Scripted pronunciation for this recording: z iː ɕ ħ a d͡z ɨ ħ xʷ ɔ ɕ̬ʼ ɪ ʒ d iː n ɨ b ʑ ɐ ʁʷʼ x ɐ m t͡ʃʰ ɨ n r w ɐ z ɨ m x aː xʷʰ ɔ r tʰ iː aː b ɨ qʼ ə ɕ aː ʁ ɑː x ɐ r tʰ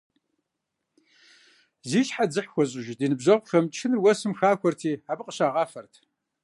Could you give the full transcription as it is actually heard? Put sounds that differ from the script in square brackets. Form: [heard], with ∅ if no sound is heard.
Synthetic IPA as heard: z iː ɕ ħ a d͡z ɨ ħ xʷ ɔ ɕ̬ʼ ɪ ʒ d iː n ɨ b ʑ ɐ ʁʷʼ x ɐ m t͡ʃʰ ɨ n r w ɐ [s] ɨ m x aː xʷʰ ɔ r tʰ iː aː b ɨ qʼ ə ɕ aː ʁ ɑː [f] ɐ r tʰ